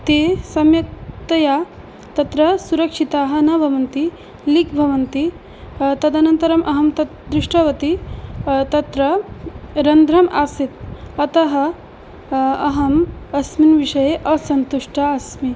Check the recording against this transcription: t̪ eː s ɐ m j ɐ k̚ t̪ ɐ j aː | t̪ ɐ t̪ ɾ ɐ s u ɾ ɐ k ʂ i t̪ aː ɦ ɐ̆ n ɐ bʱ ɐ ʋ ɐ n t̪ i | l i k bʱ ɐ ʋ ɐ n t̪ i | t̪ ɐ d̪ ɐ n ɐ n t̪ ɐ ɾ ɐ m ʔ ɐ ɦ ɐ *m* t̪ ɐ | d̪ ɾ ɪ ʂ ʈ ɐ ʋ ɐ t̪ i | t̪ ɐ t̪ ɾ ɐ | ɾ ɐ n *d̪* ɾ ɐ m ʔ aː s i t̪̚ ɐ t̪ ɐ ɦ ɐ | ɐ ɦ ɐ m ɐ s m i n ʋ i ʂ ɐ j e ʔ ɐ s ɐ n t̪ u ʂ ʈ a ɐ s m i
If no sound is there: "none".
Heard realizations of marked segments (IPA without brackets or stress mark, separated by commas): m, d̪